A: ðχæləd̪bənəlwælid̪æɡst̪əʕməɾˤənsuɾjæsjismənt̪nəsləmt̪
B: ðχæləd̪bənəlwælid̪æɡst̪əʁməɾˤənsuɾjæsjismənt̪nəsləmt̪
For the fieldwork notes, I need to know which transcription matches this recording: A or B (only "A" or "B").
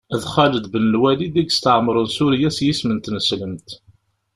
A